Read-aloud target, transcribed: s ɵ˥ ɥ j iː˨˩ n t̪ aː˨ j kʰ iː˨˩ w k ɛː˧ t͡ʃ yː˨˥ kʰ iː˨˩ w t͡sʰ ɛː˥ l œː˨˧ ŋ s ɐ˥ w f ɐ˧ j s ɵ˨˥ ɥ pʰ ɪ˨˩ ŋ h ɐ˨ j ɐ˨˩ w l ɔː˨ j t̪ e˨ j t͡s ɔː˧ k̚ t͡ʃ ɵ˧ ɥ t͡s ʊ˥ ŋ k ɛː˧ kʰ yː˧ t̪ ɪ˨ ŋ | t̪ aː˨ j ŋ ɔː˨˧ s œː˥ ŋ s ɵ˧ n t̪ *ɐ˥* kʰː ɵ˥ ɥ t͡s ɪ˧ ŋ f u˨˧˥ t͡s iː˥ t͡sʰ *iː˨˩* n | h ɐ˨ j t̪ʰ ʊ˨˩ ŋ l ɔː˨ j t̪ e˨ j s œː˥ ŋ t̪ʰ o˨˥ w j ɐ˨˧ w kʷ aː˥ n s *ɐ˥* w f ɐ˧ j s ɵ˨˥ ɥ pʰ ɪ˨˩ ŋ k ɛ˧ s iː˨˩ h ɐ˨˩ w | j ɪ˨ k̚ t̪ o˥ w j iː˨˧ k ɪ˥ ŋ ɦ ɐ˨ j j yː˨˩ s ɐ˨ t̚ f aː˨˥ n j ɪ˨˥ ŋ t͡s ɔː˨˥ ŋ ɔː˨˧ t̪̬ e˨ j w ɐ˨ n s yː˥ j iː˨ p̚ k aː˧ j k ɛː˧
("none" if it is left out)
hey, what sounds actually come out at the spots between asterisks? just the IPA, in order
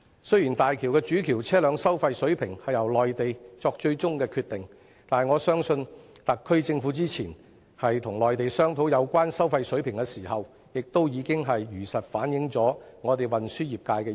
ɐ˨, iː˨˩, ɐ˥

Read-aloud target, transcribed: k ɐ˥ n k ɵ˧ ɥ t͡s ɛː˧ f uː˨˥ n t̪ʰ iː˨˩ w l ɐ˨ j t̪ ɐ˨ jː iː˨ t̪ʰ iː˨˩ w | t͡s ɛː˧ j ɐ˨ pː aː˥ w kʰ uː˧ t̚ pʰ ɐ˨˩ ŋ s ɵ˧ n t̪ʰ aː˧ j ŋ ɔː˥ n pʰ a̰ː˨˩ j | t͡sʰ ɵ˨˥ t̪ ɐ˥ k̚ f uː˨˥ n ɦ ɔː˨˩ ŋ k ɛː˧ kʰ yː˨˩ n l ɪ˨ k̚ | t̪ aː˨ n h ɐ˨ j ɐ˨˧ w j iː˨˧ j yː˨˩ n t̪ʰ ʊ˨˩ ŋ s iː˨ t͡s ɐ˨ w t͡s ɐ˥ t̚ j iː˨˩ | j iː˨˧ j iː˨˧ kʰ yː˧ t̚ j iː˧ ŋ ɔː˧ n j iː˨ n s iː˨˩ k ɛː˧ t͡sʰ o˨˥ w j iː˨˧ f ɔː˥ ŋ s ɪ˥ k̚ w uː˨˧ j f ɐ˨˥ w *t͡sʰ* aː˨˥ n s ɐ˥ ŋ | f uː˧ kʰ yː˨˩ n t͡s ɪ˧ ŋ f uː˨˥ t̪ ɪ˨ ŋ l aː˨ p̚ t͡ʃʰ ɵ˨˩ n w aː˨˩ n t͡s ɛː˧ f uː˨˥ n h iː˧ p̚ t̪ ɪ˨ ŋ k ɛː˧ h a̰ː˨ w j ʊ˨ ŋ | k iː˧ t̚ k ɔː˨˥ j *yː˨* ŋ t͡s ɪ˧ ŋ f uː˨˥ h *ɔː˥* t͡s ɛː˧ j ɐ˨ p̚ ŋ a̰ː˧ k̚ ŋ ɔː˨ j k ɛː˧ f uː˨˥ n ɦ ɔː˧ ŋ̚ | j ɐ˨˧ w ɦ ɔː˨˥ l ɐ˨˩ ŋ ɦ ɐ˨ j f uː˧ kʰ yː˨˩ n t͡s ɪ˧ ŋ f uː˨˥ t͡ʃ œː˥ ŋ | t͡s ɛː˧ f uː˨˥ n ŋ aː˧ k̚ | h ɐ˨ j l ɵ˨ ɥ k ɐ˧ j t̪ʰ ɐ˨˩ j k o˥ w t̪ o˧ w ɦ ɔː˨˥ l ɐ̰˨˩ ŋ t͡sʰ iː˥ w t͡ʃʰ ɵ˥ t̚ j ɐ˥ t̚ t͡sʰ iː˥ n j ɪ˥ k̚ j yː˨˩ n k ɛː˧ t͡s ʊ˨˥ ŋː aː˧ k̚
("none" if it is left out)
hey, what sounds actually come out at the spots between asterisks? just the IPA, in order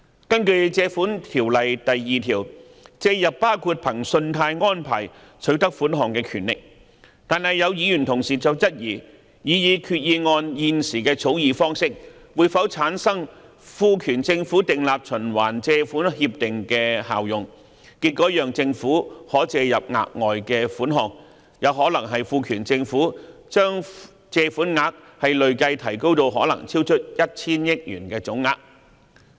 t͡sʰ, œː˨, ɔː˨˥

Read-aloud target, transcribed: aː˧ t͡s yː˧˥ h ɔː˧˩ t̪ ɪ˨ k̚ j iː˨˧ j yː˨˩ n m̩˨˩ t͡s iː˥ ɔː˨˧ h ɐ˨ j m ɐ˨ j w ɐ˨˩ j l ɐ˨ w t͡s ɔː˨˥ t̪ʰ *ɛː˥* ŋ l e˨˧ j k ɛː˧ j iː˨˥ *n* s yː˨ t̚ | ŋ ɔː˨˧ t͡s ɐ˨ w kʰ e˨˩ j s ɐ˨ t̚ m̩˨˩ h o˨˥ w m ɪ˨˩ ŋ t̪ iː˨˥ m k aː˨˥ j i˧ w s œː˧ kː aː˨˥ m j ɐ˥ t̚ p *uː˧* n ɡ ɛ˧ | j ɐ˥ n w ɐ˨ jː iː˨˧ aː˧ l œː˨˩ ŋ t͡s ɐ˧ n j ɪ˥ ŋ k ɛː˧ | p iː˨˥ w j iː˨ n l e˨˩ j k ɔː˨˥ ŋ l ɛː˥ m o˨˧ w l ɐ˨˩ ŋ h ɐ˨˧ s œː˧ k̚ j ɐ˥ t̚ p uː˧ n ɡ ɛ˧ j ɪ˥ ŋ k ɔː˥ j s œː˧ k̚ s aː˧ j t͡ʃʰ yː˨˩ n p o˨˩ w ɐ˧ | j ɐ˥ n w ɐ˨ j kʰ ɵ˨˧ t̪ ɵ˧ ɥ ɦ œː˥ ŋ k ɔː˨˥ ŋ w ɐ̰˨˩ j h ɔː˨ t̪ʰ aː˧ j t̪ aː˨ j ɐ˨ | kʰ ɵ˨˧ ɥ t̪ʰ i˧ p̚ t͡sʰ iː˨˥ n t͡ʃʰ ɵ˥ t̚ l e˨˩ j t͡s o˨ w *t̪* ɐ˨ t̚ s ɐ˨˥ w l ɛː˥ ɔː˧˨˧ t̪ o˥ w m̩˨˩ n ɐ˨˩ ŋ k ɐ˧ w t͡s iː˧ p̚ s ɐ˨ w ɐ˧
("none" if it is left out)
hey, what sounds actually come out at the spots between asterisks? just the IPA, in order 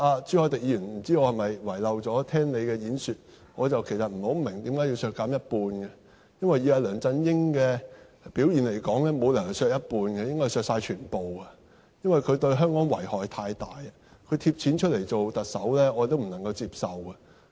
ɛː˥, n, uː˧, t̪

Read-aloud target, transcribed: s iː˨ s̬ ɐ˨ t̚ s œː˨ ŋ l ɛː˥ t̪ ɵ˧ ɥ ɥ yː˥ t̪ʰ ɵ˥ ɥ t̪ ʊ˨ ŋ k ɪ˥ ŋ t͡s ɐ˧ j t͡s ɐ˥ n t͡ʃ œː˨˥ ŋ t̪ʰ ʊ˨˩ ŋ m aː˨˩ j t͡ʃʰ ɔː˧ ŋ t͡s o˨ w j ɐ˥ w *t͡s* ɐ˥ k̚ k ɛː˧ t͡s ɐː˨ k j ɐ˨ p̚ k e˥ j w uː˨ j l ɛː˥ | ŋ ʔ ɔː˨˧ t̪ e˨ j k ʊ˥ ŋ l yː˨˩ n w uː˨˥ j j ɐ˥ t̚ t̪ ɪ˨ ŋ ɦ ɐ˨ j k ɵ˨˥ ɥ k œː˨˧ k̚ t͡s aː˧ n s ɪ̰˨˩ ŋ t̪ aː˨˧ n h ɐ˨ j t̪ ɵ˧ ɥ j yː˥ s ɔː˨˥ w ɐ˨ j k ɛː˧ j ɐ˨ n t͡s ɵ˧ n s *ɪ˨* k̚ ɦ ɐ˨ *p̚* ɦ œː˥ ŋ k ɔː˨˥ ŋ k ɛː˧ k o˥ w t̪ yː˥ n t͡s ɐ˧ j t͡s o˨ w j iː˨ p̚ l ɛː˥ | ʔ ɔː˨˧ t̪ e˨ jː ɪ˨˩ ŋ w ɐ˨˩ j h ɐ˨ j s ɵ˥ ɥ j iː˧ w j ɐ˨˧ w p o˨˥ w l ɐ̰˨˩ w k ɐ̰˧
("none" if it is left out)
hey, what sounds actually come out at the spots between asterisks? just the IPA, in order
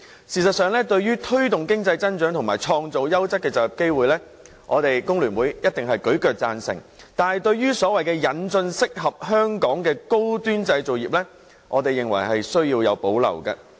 t͡s, ɪ˥, p̚

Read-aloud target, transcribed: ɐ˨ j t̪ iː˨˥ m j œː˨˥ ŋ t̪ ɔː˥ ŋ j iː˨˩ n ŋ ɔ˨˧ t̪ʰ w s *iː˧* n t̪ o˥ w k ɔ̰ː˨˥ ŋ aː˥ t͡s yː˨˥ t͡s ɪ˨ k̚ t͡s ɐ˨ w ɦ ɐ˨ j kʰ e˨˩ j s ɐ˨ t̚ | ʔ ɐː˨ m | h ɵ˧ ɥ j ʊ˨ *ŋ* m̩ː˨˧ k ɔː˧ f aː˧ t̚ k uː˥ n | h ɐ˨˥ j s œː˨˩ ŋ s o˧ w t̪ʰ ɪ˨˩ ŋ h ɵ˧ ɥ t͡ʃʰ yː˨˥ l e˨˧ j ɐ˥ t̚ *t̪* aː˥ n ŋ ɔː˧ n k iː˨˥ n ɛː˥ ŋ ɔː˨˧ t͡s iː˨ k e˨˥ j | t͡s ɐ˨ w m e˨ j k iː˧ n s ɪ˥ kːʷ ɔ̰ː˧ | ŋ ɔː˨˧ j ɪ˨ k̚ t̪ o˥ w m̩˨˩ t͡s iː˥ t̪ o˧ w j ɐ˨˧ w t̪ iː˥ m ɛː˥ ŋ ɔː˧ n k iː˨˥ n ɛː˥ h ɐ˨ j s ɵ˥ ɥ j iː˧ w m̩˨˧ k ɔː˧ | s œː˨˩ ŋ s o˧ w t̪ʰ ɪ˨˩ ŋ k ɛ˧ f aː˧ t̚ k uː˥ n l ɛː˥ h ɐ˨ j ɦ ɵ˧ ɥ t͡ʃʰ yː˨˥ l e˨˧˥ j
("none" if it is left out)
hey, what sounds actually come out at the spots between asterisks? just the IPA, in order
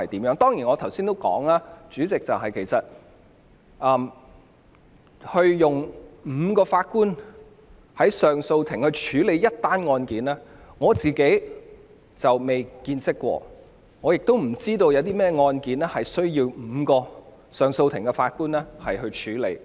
iː˥, ŋ, t̪

